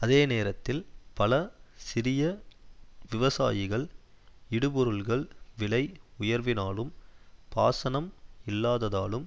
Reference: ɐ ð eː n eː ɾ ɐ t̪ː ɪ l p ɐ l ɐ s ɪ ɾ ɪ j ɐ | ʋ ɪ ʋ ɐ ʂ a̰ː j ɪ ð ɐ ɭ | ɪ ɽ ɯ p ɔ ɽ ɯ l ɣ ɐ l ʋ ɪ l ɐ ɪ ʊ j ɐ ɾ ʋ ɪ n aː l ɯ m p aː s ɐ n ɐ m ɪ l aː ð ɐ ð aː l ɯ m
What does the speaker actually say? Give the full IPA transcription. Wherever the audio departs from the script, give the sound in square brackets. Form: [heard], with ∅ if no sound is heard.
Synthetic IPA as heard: ɐ ð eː n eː ɾ ɐ t̪ː ɪ l p ɐ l ɐ s ɪ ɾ ɪ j ɐ | ʋ ɪ ʋ ɐ [s] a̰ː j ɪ [ɣ] ɐ ɭ | ɪ ɽ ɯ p ɔ [ɾ] ɯ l ɣ ɐ [ɭ] ʋ ɪ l ɐ ɪ ʊ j ɐ ɾ ʋ ɪ n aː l ɯ m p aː s ɐ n ɐ m ɪ [lː] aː ð ɐ ð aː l ɯ m